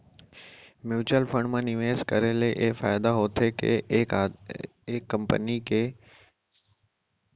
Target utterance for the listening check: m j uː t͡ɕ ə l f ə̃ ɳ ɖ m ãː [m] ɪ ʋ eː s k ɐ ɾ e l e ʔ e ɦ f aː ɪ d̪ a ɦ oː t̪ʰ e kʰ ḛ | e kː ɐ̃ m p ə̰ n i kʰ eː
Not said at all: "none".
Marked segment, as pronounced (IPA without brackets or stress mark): n